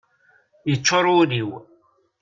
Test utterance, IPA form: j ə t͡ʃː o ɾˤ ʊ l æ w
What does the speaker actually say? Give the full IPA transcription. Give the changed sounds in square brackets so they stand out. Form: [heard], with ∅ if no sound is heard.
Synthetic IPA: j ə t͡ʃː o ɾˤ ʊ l [i] w